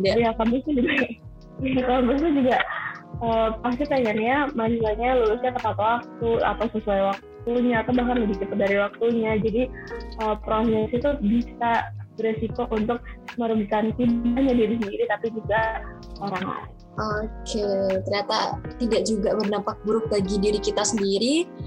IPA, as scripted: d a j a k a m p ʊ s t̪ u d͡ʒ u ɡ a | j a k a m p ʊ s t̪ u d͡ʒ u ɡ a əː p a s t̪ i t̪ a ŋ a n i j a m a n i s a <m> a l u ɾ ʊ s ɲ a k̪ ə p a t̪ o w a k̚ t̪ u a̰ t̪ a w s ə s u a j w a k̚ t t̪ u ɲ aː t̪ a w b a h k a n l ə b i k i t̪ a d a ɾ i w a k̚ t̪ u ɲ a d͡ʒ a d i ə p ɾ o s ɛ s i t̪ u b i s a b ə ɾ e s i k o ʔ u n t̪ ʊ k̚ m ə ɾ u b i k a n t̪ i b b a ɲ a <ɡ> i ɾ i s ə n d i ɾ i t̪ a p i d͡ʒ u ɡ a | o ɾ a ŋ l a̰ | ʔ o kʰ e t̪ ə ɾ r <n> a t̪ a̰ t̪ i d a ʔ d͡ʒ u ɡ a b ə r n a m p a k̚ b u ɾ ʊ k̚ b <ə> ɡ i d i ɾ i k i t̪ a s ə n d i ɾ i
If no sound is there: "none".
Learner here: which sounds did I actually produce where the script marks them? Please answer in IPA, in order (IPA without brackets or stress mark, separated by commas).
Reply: ɲ, d, ɲ, a